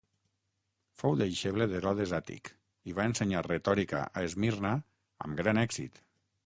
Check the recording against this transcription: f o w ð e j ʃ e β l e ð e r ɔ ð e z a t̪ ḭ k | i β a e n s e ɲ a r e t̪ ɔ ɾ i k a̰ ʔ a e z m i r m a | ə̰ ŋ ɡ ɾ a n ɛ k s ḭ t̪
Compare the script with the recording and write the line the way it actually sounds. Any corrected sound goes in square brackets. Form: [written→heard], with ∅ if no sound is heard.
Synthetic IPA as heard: f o w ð e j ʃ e β l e ð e [r→ɾ] ɔ ð e z a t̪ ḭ k | i β a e n s e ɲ a r e t̪ ɔ ɾ i k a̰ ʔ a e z m i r [m→n] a | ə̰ [ŋ→m] ɡ ɾ a n ɛ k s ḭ t̪

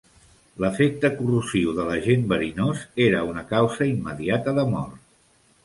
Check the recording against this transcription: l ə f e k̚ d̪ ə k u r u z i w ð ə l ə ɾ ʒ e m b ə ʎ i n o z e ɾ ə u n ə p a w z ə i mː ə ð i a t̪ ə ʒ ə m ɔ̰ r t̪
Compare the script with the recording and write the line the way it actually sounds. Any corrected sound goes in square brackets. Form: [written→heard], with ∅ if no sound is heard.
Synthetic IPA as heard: l ə f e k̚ [d̪→t̪] ə k u r u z i w ð ə l ə [ɾ→∅] ʒ e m b ə [ʎ→ɾ] i n o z e ɾ ə u n ə [p→k] a w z ə i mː ə ð i a t̪ ə [ʒ→ð] ə m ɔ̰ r t̪

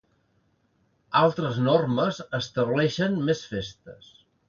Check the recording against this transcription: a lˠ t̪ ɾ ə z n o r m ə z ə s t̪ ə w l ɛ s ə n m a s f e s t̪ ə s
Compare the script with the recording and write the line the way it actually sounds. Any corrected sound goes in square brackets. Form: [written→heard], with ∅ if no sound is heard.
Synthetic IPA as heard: a lˠ t̪ ɾ ə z n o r m ə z ə s t̪ ə [w→β] l ɛ [s→ʃ] ə n m [a→e] s f e s t̪ ə s

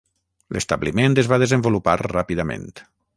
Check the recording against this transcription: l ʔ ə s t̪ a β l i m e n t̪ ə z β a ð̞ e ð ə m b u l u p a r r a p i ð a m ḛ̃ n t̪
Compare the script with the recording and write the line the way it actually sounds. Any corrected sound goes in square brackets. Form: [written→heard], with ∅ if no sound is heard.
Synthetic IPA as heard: l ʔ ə s t̪ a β l i m e n t̪ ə z β a ð̞ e [ð→z] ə m b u l u p a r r a p i ð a m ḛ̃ n t̪

